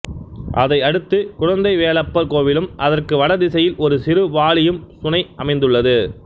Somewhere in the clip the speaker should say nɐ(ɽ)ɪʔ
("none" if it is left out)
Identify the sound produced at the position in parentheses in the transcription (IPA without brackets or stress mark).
none